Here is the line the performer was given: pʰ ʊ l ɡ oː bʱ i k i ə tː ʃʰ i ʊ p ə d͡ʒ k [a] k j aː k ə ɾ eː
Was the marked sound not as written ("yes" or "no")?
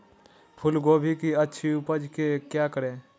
yes